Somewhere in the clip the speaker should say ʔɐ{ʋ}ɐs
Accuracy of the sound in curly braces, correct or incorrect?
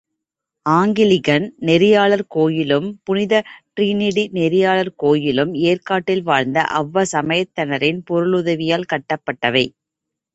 incorrect